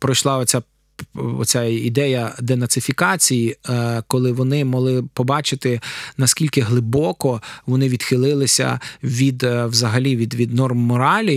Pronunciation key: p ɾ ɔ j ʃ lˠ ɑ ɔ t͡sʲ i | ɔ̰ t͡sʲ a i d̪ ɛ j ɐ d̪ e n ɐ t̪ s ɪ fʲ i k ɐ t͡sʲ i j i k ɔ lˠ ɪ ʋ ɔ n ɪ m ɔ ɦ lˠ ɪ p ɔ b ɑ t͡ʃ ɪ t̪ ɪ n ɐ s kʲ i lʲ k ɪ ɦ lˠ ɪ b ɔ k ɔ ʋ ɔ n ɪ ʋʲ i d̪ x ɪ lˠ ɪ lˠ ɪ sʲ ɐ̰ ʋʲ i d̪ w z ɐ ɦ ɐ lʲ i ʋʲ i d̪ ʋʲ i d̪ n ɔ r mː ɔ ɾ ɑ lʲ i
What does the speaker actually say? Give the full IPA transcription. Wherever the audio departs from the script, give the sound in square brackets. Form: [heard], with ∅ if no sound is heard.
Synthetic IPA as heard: p ɾ ɔ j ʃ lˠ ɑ ɔ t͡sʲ [a] | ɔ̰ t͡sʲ a i d̪ ɛ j ɐ d̪ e n ɐ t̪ s ɪ fʲ i k [ɑ] t͡sʲ i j i k ɔ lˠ ɪ ʋ ɔ n ɪ m ɔ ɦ lˠ ɪ p ɔ b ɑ t͡ʃ ɪ t̪ ɪ n ɐ s kʲ i lʲ k ɪ ɦ lˠ ɪ b ɔ k ɔ ʋ ɔ n ɪ ʋʲ i d̪ x ɪ lˠ ɪ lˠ ɪ sʲ ɐ̰ ʋʲ i d̪ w z ɐ ɦ ɐ lʲ i ʋʲ i d̪ ʋʲ i d̪ n ɔ r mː ɔ ɾ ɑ lʲ i